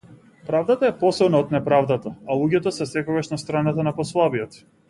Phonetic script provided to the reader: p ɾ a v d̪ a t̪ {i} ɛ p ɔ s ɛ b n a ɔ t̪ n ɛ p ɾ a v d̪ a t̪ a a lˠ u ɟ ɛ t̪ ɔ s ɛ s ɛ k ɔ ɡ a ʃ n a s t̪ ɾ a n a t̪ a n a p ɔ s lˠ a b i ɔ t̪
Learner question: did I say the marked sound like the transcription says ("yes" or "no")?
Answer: no